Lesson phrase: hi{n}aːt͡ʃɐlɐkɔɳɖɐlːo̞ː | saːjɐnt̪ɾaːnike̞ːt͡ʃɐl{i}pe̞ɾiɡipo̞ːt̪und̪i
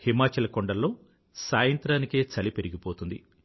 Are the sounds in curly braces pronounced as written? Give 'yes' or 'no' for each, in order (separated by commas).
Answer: no, yes